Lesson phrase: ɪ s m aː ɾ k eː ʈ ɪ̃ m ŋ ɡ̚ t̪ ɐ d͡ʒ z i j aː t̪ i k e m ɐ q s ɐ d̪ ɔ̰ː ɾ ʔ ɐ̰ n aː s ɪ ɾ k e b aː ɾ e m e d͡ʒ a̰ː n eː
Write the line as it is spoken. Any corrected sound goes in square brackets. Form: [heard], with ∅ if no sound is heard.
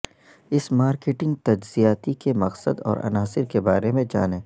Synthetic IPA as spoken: ɪ s m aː ɾ k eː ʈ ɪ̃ [∅] ŋ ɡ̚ t̪ ɐ d͡ʒ z i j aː t̪ i k e m ɐ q s [ə] d̪ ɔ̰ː ɾ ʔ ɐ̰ n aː s ɪ ɾ k e b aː ɾ e m [ẽ] d͡ʒ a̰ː n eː